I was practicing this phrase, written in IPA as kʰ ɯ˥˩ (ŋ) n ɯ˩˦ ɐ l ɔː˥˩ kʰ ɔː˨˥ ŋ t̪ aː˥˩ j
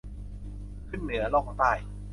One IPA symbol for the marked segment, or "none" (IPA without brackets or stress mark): n